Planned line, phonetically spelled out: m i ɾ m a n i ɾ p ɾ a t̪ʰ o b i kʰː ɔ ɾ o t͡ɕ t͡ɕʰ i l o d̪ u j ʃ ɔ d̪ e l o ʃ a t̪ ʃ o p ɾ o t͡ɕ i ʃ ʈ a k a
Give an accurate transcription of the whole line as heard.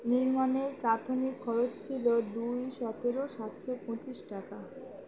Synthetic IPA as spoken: n i ɾ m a n e ɾ p ɾ a t̪ʰ o m i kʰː ɔ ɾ o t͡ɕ t͡ɕʰ i l o d̪ u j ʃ ɔ t̪ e ɾ o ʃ a t̪ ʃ o p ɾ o t͡ɕ i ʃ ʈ a k a